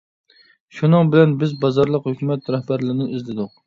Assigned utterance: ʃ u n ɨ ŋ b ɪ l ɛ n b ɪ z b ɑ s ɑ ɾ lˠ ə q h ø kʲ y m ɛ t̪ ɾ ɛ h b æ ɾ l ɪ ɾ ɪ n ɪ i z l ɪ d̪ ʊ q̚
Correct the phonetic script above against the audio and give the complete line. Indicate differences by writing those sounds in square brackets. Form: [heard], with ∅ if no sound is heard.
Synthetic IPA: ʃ u n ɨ ŋ b ɪ l ɛ n b ɪ z b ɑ [z] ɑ ɾ lˠ ə q h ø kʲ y m ɛ t̪ ɾ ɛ h b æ ɾ l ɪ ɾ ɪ n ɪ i z l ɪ d̪ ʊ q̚